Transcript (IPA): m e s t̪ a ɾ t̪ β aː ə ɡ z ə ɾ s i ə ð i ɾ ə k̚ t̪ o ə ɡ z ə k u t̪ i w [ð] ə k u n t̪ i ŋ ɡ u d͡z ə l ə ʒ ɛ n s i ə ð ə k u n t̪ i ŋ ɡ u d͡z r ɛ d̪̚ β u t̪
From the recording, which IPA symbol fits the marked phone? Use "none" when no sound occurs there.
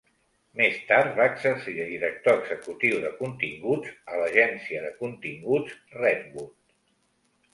ð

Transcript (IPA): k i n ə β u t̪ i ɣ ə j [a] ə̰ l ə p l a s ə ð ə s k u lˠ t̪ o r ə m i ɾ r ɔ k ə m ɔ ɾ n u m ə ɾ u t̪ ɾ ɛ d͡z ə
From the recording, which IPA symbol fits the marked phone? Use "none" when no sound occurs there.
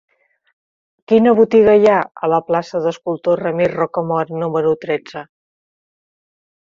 a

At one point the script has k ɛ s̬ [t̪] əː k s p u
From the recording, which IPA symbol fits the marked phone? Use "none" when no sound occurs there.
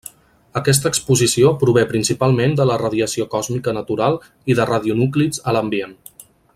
t̪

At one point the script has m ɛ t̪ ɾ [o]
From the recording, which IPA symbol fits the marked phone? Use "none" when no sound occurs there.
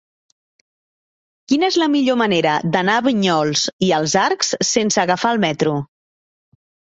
u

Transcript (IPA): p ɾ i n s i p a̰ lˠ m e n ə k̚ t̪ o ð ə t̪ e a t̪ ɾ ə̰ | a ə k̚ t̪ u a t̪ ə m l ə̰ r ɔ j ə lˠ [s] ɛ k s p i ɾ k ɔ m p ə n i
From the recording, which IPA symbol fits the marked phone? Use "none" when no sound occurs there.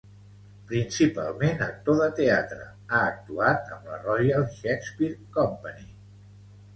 ʃ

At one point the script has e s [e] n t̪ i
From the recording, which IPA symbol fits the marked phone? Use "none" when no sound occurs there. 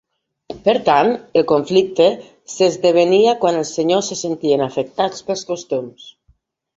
e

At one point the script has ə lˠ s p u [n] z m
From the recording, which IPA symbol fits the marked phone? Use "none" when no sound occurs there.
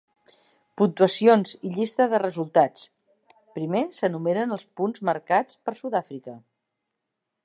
n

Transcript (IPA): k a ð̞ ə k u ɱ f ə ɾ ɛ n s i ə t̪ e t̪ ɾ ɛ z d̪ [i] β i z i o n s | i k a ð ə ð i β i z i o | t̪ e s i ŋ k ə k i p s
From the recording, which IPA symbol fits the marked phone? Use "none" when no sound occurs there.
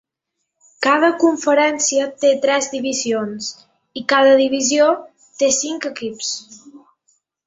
i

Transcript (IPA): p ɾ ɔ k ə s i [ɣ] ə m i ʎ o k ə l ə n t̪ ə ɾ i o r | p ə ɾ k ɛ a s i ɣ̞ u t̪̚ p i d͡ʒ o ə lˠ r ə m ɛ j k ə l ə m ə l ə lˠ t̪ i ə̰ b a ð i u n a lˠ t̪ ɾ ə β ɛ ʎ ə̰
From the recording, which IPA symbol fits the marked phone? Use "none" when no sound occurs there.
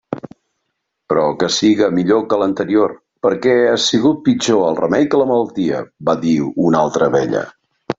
ɣ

